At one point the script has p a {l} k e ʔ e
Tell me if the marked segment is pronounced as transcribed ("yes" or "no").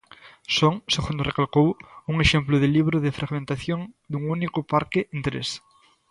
no